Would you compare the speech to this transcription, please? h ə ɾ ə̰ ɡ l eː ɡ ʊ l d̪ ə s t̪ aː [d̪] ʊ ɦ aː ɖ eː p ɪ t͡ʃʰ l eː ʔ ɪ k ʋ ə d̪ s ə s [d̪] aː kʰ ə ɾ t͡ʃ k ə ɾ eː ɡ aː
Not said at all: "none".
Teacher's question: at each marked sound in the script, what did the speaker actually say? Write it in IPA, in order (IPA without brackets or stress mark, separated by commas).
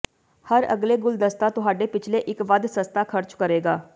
t̪, t̪